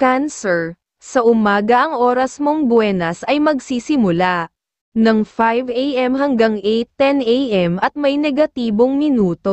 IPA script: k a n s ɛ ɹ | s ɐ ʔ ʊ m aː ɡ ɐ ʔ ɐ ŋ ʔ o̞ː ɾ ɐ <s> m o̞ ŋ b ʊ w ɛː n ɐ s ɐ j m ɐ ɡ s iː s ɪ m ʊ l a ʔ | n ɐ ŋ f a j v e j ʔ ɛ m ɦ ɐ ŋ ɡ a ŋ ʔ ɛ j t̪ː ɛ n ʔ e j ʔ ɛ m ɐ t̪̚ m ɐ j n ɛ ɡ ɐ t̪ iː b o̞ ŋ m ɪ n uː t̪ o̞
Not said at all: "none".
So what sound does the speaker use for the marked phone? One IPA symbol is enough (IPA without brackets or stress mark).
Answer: s